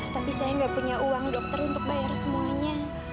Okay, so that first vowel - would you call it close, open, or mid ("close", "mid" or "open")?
open